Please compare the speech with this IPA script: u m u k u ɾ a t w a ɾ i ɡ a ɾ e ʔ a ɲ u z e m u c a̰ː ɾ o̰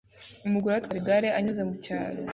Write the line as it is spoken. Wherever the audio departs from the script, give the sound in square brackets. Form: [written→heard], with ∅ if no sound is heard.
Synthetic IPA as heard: u m u [k→ɡ] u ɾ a t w a ɾ i ɡ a ɾ e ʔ a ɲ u z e m u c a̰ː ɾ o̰